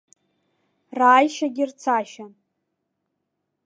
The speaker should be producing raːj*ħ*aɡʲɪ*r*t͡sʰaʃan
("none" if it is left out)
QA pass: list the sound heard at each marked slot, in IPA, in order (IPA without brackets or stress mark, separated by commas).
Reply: ʃ, r